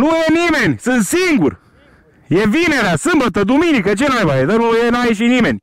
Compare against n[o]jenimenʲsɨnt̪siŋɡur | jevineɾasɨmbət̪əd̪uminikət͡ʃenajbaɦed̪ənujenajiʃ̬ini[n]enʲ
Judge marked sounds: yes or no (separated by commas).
no, no